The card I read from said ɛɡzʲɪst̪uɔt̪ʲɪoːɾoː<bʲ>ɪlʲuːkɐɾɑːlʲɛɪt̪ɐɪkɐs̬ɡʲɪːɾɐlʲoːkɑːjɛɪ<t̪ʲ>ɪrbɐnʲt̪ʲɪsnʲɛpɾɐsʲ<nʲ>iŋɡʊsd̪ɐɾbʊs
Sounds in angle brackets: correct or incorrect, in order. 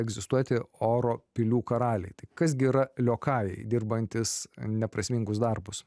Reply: incorrect: pʲ, incorrect: d̪ʲ, incorrect: mʲ

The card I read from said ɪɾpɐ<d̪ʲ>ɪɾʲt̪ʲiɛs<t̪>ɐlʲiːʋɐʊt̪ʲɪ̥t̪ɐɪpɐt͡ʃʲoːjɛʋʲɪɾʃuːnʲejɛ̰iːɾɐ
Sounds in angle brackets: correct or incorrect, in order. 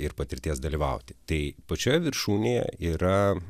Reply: incorrect: t̪ʲ, incorrect: d̪

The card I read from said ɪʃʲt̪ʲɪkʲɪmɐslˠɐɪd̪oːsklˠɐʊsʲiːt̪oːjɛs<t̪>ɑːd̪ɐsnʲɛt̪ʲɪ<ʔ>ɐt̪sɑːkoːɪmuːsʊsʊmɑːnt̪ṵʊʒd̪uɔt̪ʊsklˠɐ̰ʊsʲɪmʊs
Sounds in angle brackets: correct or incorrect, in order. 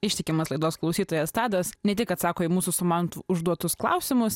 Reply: correct, incorrect: k

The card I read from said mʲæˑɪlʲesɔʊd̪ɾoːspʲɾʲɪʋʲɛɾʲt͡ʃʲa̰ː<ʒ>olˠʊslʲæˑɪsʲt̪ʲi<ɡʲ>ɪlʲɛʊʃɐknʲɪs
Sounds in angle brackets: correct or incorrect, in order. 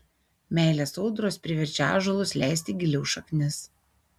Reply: correct, correct

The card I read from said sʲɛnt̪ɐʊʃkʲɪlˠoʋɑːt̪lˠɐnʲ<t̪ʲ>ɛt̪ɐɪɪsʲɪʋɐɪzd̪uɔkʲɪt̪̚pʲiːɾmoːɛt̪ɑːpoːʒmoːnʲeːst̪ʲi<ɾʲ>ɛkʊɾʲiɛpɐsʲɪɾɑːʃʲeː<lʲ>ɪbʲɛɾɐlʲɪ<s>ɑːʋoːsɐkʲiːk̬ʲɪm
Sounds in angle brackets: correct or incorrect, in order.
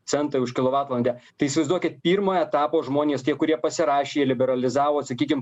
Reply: incorrect: d̪ʲ, incorrect: none, correct, incorrect: z

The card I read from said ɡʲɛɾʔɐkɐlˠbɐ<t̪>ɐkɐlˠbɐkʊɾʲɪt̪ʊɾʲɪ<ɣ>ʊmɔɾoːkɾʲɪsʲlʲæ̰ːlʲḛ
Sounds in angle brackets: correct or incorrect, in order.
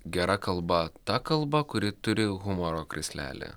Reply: correct, correct

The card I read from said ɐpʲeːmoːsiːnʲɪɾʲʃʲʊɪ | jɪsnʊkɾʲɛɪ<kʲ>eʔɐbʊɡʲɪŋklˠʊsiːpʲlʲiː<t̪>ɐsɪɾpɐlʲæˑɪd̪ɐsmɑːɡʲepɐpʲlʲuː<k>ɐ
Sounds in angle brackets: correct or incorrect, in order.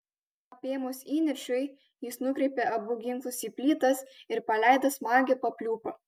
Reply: incorrect: pʲ, correct, incorrect: p

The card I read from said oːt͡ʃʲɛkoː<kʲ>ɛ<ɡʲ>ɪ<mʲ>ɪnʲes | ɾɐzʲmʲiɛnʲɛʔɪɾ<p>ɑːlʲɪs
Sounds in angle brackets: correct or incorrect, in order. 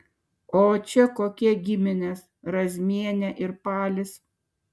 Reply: correct, correct, correct, correct

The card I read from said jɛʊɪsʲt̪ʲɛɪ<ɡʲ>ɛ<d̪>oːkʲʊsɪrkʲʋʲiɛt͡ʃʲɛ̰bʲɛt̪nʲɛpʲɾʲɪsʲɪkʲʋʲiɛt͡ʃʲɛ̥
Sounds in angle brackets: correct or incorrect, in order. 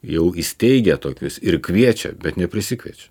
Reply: correct, incorrect: t̪

